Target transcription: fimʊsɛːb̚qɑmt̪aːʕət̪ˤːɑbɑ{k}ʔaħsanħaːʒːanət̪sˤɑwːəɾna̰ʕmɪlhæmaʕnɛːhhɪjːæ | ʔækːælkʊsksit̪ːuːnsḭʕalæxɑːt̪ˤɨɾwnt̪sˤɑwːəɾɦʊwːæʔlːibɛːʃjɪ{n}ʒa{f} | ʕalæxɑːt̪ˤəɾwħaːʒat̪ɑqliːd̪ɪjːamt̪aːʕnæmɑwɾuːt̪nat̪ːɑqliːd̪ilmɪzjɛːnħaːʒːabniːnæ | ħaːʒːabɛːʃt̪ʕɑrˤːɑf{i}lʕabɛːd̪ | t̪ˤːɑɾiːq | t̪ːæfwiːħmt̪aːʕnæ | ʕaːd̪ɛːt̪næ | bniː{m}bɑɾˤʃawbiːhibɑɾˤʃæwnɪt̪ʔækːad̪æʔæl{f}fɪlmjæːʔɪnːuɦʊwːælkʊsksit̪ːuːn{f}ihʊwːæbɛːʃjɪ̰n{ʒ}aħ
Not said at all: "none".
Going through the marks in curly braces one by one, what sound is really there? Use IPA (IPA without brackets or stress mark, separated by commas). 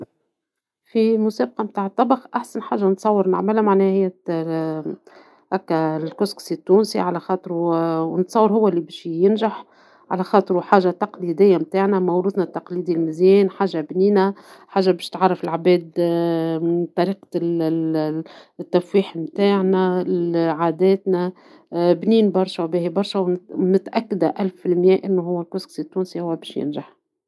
x, n, ħ, ɪ, n, f, s, ʒ